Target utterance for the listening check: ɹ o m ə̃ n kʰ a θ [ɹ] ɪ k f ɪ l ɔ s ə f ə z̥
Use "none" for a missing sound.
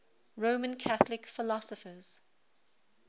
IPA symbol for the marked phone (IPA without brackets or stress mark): l